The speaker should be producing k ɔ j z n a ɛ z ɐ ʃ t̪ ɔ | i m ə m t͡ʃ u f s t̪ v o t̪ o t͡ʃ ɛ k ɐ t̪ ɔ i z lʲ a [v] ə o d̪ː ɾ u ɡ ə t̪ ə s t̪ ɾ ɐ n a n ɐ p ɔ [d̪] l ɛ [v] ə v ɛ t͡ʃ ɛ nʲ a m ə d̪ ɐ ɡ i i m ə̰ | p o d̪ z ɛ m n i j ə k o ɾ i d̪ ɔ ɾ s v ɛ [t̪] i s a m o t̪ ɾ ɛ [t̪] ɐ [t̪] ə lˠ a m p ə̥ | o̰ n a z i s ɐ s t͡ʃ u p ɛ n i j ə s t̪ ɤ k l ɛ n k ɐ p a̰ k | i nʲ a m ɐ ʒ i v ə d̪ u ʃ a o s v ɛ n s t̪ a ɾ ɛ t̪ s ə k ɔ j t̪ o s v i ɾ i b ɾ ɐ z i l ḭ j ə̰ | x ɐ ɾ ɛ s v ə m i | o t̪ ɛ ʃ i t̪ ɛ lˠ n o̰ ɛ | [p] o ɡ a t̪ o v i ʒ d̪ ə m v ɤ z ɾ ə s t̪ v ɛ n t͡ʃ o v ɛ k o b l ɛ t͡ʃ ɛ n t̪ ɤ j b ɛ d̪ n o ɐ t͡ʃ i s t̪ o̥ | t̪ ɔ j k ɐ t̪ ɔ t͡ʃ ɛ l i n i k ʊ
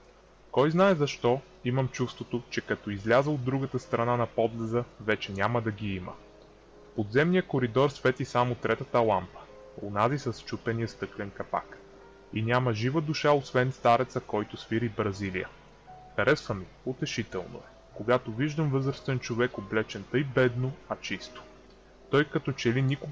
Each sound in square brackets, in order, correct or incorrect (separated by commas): incorrect, correct, incorrect, correct, correct, correct, incorrect